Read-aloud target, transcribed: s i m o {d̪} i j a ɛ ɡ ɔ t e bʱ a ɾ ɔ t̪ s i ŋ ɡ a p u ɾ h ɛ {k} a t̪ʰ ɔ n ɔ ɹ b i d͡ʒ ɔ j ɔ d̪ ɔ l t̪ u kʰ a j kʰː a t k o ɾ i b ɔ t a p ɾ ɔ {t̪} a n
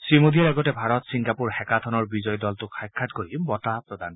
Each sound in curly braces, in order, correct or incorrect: correct, correct, incorrect

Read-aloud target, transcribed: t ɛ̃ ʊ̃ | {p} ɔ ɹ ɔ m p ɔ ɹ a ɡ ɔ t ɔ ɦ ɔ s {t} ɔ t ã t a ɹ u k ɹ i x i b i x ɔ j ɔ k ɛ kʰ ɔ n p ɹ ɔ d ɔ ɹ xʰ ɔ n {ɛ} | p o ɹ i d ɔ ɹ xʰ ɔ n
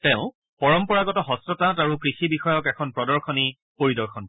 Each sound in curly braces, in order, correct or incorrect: correct, correct, incorrect

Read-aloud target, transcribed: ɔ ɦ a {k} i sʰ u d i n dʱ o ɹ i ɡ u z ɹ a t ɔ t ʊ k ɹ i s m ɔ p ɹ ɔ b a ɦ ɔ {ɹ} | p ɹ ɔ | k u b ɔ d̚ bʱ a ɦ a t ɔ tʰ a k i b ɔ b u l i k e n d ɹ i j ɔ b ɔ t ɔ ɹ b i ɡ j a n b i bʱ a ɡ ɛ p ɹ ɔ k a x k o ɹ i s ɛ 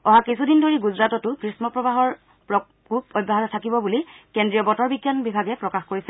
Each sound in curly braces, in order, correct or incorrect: correct, correct

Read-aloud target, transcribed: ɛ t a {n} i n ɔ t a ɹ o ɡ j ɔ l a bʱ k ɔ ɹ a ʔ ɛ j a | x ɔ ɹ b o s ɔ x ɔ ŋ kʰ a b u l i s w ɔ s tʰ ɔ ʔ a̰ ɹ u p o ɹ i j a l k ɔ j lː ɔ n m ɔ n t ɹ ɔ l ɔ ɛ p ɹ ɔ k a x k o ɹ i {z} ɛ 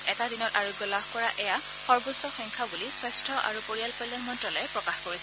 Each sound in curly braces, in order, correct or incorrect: incorrect, incorrect

